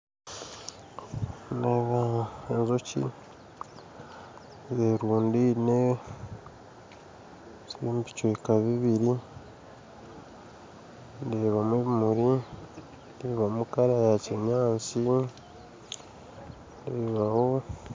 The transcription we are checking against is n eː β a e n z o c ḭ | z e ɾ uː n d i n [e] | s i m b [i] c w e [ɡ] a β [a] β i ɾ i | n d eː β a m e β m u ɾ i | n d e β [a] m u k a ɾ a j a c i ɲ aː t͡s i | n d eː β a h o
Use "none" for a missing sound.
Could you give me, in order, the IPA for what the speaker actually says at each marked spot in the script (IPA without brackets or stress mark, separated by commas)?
e, i, k, i, a